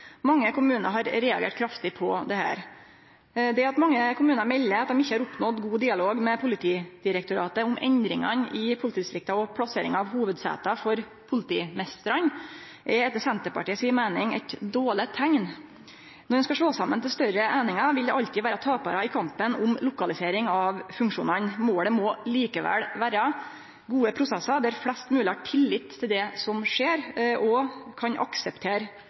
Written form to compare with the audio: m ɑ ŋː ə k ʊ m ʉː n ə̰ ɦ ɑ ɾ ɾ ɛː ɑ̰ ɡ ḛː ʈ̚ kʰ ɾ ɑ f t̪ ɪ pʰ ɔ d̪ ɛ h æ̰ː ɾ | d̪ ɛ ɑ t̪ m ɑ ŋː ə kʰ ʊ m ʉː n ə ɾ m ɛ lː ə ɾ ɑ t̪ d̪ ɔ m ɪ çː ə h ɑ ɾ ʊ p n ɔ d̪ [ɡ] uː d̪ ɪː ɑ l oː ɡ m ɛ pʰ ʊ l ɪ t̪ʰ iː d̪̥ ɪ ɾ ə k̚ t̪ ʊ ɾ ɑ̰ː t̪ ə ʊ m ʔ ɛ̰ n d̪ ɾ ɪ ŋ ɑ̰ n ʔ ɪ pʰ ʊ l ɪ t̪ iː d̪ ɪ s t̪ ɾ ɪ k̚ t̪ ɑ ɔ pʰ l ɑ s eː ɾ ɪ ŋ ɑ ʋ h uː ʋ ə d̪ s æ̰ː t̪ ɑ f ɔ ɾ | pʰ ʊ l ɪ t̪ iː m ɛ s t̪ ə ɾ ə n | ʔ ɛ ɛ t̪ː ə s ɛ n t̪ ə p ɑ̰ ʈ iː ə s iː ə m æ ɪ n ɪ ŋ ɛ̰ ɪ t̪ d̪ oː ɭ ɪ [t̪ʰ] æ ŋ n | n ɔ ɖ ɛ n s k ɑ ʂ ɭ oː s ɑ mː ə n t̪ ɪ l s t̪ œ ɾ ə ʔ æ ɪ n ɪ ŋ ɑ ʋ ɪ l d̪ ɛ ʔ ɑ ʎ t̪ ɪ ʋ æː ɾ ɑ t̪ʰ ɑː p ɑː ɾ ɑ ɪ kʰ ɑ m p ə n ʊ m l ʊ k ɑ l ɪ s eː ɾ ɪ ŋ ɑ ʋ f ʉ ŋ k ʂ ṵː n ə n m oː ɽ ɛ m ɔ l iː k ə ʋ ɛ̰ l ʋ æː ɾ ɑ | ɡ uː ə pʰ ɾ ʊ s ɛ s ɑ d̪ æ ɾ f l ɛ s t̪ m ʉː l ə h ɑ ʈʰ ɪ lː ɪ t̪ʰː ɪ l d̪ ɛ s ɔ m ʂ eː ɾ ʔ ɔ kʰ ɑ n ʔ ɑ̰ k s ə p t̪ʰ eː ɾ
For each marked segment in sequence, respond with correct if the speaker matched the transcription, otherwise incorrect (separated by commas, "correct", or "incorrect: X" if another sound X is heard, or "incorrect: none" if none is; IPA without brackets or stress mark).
correct, correct